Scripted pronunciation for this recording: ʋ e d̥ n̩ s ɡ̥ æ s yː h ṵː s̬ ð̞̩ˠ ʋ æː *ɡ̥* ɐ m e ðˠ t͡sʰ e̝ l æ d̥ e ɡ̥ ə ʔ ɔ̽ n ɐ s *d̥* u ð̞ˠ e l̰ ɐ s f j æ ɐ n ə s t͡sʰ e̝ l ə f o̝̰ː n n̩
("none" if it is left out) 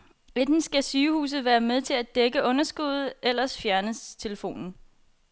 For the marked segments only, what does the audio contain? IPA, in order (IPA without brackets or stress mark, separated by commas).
none, ɡ̥